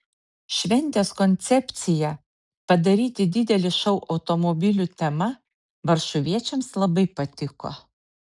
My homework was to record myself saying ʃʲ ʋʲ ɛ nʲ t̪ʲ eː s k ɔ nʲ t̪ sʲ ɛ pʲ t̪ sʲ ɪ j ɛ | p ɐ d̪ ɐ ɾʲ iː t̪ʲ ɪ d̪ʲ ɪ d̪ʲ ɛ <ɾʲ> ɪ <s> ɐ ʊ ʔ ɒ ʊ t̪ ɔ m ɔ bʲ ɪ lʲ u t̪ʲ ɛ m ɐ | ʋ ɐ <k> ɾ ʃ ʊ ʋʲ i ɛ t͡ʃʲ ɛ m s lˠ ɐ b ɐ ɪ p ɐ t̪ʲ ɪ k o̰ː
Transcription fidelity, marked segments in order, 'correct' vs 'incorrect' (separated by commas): incorrect, incorrect, incorrect